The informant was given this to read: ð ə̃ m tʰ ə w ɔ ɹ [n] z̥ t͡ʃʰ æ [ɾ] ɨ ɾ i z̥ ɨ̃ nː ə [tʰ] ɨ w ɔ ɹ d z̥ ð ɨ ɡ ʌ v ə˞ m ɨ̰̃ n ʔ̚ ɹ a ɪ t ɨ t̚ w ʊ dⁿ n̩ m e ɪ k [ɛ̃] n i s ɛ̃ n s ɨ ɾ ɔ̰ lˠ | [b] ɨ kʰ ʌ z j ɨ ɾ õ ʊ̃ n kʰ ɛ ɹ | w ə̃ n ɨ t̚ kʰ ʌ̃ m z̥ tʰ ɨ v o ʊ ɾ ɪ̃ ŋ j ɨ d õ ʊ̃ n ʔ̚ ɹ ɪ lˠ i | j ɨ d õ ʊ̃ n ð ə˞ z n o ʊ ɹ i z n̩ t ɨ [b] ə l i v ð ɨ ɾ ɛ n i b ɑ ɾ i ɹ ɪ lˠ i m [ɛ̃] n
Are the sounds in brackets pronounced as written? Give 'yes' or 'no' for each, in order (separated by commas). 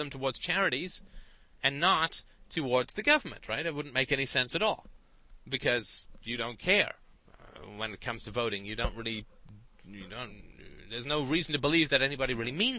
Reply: no, no, yes, no, yes, yes, no